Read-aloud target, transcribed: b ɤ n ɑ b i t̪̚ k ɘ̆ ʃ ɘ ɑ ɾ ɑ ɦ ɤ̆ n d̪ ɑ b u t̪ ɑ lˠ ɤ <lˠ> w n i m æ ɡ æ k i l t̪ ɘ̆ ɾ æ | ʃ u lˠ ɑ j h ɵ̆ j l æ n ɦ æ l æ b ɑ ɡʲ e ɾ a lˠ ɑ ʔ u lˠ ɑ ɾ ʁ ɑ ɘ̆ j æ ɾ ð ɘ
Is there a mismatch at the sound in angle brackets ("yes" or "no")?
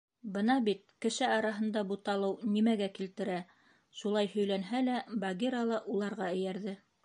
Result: yes